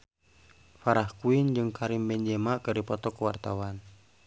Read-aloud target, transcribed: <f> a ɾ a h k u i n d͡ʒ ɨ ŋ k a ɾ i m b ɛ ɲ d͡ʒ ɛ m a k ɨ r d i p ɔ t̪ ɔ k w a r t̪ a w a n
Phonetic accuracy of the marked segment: correct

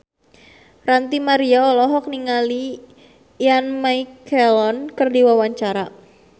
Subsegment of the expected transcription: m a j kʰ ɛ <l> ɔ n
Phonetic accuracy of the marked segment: correct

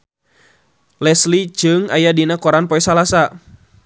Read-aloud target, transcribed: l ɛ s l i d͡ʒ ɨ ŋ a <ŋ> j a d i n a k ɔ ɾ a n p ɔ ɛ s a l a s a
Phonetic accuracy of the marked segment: incorrect: none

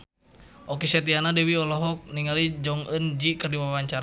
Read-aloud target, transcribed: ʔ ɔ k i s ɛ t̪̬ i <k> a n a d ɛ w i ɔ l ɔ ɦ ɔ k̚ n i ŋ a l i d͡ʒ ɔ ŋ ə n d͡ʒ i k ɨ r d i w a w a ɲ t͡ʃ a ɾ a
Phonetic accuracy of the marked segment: incorrect: none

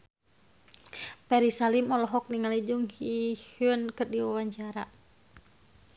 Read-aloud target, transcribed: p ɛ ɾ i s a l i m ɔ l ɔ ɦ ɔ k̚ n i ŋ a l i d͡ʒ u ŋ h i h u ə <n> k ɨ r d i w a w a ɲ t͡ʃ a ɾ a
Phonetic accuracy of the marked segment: correct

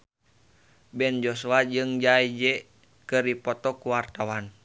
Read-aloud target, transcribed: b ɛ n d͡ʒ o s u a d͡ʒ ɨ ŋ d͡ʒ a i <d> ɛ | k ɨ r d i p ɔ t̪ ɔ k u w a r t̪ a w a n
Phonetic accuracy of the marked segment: incorrect: d͡ʒ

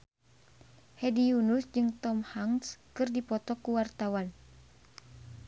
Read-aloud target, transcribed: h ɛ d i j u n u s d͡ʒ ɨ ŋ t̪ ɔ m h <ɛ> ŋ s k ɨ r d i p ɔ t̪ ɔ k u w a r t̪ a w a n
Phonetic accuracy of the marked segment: incorrect: a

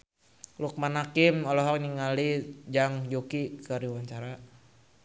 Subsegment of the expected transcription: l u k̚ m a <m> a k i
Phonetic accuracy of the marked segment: incorrect: n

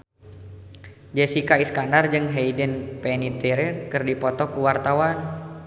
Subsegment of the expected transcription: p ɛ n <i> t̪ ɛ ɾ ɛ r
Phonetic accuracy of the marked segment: correct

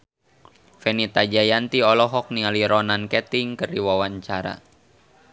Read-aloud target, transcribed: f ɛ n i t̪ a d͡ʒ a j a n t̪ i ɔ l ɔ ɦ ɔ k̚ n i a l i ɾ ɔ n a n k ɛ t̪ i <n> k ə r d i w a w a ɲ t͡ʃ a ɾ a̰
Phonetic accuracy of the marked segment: incorrect: ŋ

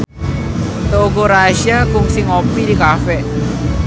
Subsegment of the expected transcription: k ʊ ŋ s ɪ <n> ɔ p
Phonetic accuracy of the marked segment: incorrect: ŋ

